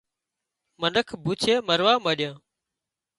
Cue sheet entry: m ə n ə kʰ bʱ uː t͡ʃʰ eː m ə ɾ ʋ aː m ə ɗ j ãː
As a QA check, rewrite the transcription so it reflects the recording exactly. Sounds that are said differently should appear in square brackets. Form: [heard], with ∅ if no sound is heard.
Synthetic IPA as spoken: m ə n ə kʰ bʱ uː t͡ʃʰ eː m ə ɾ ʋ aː m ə ɗ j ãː